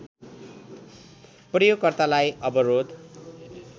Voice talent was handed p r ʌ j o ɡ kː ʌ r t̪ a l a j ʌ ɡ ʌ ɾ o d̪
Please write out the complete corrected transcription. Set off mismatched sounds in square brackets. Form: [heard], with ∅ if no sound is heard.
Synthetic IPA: p r ʌ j o ɡ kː ʌ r t̪ a l a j ʌ [b] ʌ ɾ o d̪

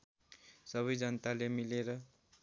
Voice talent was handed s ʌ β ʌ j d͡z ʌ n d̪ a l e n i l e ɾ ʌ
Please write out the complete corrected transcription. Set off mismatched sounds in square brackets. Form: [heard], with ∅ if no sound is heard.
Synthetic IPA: s ʌ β ʌ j d͡z ʌ n [t̪] a l e [m] i l e ɾ ʌ

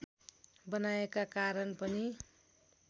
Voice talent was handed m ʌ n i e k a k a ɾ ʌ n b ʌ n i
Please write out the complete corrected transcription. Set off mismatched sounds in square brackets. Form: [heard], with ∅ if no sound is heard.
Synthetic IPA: [b] ʌ n [a] e k a k a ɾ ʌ n [p] ʌ n i

